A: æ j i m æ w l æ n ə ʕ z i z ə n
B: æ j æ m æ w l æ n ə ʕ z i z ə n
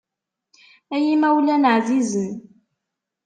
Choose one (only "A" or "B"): A